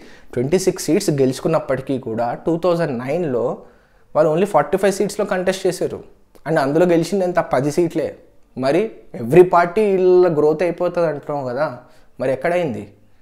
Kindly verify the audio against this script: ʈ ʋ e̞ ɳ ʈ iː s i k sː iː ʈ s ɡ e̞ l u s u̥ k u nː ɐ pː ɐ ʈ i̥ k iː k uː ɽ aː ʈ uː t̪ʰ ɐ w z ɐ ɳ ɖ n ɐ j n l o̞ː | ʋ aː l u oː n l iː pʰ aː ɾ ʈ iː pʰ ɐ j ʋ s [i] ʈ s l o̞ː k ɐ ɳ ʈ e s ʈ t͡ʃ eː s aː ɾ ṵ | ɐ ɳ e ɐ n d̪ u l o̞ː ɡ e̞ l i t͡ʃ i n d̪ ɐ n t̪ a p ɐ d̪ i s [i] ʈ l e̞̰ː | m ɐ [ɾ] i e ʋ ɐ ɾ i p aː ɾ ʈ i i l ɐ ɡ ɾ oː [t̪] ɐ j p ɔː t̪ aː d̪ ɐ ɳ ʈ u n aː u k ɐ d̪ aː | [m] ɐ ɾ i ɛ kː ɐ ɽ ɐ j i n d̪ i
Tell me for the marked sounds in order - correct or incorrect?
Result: incorrect: iː, incorrect: iː, correct, correct, correct

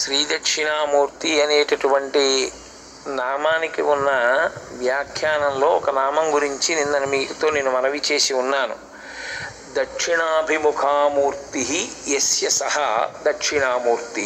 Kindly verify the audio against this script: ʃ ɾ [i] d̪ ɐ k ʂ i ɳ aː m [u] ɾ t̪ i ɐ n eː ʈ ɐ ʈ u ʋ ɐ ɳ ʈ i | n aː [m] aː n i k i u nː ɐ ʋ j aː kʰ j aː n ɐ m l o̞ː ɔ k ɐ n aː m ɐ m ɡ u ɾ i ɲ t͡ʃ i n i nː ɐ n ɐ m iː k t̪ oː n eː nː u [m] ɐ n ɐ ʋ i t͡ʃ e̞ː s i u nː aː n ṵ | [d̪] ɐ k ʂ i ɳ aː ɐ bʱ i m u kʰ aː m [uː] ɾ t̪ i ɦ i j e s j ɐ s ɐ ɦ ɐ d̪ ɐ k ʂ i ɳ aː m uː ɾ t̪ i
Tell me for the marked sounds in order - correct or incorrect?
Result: incorrect: iː, incorrect: uː, correct, correct, correct, correct

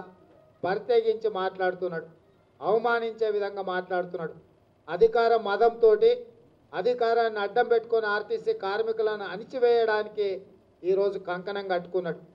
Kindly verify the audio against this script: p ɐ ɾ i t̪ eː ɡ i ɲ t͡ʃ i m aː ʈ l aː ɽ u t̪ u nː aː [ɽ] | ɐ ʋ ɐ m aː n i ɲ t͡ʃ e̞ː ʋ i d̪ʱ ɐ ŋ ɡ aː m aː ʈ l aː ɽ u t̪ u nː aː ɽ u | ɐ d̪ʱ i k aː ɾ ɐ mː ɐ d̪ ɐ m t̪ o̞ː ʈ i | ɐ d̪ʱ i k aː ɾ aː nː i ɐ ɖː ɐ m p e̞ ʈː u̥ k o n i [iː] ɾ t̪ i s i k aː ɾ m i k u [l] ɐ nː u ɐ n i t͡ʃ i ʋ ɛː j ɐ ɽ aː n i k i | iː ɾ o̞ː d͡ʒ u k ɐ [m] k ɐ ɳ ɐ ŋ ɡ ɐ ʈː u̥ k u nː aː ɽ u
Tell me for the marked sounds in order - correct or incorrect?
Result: correct, incorrect: aː, correct, incorrect: ŋ

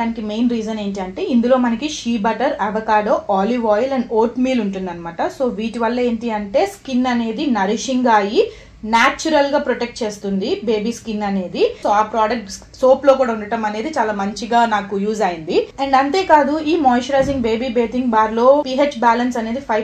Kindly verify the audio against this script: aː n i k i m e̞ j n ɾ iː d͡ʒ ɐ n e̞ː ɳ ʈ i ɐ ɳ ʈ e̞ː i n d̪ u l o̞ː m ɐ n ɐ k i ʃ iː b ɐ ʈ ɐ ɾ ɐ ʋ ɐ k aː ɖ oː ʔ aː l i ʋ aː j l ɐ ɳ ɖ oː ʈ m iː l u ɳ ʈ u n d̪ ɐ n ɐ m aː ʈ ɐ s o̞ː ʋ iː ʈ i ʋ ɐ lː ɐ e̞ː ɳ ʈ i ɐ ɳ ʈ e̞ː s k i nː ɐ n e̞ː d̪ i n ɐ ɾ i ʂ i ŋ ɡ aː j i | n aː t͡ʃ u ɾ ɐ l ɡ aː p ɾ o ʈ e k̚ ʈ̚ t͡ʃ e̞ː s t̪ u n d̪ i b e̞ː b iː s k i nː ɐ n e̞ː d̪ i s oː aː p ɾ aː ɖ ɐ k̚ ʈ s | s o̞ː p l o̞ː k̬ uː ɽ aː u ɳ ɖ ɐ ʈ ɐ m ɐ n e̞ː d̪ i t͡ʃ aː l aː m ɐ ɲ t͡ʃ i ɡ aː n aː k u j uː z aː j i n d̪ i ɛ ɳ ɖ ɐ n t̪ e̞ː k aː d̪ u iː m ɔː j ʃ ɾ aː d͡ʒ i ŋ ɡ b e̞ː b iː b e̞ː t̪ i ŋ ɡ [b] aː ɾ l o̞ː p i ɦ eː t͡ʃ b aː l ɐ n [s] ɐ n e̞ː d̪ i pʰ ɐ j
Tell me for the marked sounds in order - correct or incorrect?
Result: correct, correct

